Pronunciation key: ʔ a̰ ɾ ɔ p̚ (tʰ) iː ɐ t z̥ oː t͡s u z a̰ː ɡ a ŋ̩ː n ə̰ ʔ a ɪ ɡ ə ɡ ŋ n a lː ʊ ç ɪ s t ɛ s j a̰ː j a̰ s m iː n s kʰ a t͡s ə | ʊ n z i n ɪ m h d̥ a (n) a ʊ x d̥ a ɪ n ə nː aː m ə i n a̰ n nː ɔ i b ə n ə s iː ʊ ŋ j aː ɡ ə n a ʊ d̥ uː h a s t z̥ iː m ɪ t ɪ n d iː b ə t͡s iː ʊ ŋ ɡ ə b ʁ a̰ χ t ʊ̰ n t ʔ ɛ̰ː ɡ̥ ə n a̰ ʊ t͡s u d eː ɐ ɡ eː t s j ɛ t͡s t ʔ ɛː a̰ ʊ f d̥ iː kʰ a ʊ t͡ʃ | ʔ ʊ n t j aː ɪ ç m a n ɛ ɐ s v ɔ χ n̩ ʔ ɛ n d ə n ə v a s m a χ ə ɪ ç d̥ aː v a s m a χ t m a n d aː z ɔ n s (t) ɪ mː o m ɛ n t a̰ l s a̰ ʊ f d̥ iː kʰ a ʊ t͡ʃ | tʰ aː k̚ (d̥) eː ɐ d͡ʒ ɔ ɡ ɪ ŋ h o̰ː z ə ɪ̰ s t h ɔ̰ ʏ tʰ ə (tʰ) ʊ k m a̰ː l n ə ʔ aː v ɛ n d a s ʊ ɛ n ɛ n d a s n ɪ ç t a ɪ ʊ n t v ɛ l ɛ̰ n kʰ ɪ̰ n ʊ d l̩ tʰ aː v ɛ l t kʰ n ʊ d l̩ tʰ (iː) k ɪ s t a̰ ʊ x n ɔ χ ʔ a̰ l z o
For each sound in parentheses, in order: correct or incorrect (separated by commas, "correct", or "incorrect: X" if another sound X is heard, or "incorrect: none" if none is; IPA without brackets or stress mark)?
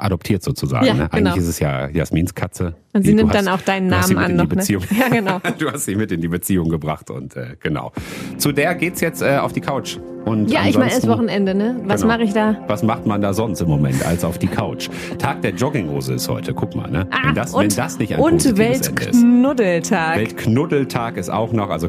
correct, correct, correct, correct, incorrect: kʰ, incorrect: aː